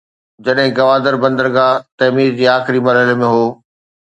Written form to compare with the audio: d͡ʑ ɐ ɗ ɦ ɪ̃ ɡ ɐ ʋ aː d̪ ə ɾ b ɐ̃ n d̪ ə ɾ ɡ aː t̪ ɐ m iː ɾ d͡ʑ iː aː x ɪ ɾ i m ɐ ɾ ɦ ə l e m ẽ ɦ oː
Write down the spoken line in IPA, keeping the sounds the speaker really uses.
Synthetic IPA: d͡ʑ ɐ ɗ ɦ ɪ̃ ɡ ɐ ʋ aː d̪ ə ɾ b ɐ̃ n d̪ ə ɾ ɡ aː t̪ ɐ m iː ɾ d͡ʑ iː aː x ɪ ɾ i m ɐ ɾ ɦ ə l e m ẽ ɦ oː